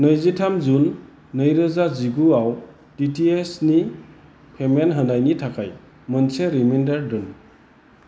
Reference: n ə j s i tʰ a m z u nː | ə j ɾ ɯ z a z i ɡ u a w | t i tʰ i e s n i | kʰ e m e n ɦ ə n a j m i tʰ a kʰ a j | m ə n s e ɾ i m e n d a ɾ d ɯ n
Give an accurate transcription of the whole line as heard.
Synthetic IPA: n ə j z i tʰ a m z u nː | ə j ɾ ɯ z a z i ɡ u a w | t i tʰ i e s n i | pʰ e m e n ɦ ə n a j n i tʰ a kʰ a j | m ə n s e ɾ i m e n d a ɾ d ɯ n